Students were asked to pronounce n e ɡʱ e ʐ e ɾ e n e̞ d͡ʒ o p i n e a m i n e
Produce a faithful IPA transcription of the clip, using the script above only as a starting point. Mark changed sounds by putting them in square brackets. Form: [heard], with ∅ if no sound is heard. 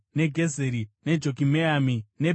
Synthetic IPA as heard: n e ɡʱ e [z] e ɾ [i] n e̞ d͡ʒ o [k] i [m] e a m i n e